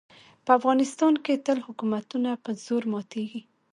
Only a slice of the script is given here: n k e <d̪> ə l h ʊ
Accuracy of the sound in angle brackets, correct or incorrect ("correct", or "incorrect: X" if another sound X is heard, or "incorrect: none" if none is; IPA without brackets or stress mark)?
incorrect: t̪